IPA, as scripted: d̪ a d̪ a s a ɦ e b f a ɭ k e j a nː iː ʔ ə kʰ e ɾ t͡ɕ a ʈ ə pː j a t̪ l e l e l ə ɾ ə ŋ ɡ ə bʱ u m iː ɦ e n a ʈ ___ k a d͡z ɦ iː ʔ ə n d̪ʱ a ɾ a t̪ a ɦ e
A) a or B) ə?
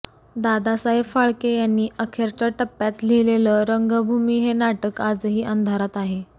B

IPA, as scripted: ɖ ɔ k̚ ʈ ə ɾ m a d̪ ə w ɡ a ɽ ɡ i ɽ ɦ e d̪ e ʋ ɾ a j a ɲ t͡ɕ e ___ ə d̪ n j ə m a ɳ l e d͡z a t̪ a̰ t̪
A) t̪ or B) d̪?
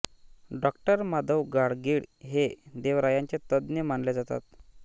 A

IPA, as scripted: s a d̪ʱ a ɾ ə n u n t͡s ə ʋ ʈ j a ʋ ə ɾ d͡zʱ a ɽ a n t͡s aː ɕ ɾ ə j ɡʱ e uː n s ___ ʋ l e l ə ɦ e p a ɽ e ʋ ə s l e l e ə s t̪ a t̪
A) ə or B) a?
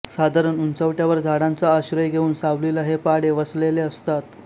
B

